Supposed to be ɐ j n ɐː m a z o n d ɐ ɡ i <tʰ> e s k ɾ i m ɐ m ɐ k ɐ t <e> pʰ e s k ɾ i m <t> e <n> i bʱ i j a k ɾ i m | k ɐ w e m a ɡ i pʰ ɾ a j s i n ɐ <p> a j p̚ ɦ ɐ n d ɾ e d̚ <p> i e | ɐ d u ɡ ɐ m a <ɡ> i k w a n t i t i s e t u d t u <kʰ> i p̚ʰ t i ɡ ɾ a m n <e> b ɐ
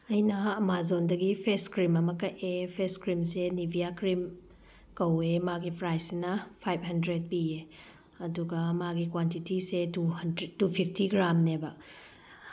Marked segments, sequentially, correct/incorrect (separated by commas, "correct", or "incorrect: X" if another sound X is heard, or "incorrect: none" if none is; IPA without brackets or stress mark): incorrect: pʰ, correct, incorrect: s, correct, incorrect: pʰ, correct, correct, incorrect: pʰ, correct